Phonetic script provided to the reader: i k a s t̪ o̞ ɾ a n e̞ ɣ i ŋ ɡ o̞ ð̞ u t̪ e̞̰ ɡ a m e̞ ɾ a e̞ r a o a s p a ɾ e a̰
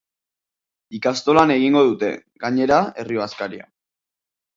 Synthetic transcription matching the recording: i k a s t̪ o̞ l a n e̞ ɣ i ŋ ɡ o̞ ð̞ u t̪ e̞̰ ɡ a ɲ e̞ ɾ a e̞ r i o a s k a ɾ i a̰